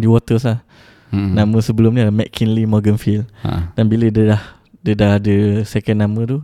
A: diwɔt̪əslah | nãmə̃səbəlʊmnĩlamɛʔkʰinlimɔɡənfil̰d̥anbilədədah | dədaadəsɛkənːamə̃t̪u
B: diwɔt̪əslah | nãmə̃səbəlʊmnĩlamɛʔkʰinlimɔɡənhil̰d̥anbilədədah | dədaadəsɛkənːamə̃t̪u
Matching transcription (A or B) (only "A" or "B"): A